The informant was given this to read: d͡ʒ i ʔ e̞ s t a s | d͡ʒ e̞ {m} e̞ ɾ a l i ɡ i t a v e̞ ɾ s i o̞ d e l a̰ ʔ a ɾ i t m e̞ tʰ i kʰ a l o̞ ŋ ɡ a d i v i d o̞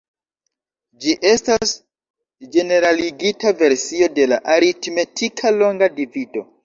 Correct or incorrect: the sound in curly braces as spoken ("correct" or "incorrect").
incorrect